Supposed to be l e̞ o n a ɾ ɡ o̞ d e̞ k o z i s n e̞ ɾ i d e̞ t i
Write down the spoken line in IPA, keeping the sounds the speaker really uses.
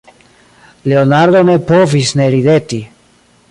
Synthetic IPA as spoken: l e̞ o n a ɾ d o̞ n e̞ p o v i s n e̞ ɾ i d e̞ t i